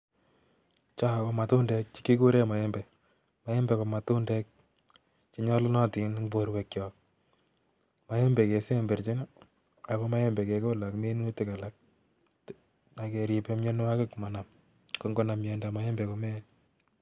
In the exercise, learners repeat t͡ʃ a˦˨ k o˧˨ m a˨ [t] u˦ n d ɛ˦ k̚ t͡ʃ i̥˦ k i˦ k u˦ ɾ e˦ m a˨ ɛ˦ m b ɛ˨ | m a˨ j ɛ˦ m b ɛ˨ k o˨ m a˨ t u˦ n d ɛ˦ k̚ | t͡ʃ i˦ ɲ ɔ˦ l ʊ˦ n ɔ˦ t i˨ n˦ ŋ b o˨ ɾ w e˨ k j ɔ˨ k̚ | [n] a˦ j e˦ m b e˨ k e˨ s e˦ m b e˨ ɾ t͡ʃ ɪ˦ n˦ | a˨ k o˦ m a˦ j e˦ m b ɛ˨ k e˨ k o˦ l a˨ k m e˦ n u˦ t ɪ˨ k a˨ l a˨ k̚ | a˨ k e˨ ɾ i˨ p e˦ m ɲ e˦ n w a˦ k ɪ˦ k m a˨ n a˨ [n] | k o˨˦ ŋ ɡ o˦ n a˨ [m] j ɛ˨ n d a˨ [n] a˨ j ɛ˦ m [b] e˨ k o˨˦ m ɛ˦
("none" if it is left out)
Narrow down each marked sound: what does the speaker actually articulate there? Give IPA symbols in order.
t, m, m, m, m, b

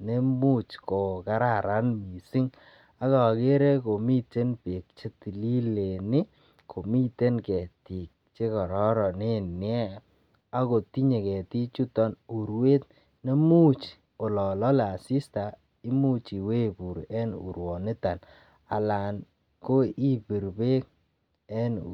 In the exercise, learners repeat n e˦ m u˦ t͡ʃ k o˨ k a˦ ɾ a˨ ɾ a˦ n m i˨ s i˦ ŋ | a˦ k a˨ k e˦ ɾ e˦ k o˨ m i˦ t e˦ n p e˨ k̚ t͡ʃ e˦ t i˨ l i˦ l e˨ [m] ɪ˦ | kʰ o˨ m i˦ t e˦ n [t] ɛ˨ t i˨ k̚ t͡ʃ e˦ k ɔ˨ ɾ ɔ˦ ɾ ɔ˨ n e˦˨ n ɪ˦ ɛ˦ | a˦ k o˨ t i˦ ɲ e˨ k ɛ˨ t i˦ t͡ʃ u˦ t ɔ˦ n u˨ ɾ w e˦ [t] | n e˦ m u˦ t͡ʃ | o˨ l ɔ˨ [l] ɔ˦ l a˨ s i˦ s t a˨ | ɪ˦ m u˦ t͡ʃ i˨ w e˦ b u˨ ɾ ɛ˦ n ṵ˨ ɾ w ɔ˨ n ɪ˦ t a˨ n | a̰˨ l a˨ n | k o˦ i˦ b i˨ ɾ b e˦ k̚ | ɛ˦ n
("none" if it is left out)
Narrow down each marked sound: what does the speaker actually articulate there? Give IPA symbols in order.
n, k, t, l

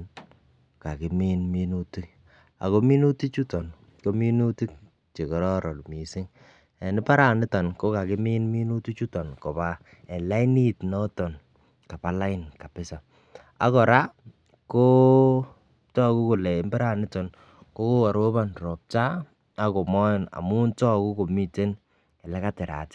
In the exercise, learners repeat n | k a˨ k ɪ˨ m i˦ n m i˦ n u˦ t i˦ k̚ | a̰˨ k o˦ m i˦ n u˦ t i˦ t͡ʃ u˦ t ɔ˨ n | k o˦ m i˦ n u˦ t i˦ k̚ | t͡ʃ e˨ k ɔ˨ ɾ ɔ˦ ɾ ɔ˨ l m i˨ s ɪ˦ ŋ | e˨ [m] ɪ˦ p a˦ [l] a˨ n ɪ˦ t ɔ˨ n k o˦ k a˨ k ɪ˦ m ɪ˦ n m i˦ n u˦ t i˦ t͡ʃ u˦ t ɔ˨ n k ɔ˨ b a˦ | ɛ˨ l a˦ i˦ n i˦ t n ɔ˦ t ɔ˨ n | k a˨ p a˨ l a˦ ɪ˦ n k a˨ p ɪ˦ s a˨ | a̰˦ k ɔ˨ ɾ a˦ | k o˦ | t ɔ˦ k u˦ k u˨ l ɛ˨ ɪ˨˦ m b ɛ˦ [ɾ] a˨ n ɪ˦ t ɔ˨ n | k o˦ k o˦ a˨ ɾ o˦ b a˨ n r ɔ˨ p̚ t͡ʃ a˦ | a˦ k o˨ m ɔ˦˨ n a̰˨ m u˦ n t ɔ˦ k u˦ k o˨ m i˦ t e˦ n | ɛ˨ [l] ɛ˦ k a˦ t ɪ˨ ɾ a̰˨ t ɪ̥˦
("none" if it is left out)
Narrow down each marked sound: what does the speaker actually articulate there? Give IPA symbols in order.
n, ɾ, ɾ, l

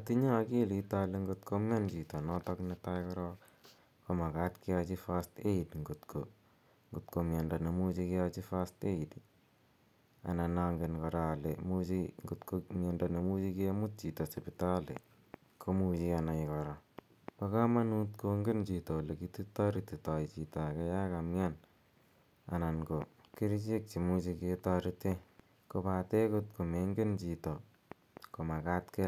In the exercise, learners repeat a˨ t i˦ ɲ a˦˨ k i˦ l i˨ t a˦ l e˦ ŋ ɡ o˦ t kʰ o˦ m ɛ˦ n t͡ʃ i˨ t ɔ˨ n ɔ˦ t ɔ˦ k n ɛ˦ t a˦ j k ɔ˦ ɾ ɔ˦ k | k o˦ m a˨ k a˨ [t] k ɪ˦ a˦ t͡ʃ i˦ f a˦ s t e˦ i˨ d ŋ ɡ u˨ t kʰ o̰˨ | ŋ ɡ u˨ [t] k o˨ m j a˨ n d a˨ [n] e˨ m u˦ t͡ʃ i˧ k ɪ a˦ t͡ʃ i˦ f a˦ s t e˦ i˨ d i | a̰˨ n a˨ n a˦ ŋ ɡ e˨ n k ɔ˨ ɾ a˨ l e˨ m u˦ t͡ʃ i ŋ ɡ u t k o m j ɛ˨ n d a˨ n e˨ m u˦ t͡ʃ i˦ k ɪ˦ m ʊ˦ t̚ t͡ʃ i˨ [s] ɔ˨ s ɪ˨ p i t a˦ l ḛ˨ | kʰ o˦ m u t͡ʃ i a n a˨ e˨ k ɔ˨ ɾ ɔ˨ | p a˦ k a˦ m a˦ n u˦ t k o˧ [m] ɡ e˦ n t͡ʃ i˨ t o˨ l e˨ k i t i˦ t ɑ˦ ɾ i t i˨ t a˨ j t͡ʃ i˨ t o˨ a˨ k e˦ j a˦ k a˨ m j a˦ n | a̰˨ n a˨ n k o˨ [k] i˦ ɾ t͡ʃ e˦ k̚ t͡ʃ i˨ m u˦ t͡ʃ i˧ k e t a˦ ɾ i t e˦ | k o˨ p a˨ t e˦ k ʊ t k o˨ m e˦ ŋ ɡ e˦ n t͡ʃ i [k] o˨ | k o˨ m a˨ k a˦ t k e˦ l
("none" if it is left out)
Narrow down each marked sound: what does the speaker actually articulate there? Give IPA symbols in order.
t, t, n, t, ŋ, k, t

